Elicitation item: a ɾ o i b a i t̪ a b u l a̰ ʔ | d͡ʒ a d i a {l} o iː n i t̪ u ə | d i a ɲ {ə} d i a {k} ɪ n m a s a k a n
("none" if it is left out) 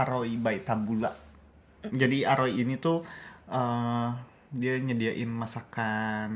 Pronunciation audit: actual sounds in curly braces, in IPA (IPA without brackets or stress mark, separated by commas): ɾ, ə, ʔ